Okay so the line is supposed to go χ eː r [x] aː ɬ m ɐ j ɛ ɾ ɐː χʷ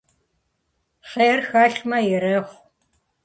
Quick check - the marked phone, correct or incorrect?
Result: correct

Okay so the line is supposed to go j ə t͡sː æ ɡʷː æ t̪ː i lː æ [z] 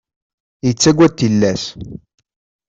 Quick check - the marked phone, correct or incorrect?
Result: incorrect: s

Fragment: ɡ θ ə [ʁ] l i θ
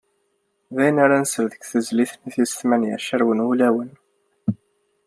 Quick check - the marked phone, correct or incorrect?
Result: incorrect: z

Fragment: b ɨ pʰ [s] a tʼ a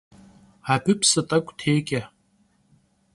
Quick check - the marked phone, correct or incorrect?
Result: correct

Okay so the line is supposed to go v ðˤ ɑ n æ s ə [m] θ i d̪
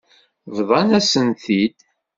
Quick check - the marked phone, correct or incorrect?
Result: incorrect: n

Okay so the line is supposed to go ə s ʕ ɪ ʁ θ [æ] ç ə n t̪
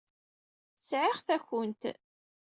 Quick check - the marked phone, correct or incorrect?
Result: correct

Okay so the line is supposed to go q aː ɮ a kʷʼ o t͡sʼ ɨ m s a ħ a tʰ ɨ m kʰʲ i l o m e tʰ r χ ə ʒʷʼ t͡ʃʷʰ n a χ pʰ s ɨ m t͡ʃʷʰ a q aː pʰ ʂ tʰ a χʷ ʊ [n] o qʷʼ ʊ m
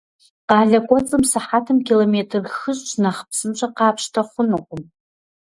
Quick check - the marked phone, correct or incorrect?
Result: correct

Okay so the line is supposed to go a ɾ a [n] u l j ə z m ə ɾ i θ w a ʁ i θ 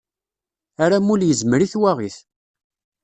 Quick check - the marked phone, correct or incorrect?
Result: incorrect: m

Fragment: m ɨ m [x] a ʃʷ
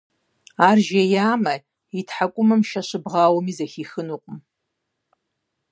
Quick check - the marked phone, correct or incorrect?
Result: incorrect: ʃ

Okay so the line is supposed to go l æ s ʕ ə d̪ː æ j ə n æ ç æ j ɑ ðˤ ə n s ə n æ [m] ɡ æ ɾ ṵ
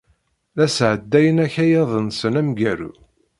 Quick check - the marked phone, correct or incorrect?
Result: correct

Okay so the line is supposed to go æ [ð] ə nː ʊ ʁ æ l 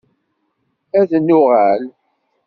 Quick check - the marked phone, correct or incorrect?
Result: correct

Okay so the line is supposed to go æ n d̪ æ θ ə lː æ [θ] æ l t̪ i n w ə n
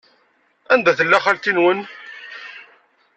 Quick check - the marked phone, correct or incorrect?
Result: incorrect: χ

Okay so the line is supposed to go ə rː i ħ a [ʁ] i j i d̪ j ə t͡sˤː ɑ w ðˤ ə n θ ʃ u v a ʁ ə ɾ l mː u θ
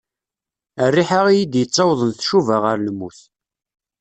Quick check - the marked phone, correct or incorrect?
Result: correct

